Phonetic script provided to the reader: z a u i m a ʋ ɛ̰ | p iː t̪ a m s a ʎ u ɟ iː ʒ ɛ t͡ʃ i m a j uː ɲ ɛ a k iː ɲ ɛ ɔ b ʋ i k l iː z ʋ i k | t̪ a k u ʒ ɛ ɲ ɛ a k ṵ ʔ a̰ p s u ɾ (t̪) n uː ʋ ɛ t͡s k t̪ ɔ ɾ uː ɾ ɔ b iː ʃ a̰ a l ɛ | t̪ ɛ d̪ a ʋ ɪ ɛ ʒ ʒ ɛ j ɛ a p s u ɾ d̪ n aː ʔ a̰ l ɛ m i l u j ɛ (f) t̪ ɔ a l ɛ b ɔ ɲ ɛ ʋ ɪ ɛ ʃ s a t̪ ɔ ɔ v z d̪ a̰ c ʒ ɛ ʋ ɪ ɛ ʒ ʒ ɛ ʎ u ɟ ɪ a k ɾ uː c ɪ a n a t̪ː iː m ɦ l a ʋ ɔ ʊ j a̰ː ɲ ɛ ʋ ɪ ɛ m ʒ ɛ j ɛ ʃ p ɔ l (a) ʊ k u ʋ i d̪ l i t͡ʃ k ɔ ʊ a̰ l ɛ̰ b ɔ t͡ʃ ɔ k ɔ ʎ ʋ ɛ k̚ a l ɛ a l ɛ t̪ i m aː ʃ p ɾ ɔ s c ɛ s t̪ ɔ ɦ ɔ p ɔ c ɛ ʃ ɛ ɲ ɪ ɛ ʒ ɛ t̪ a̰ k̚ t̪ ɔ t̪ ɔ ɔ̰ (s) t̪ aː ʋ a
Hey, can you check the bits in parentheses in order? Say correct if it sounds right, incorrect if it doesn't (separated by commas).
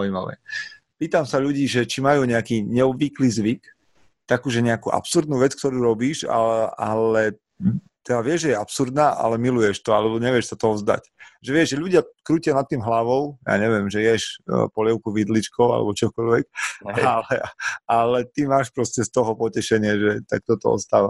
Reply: incorrect, incorrect, incorrect, correct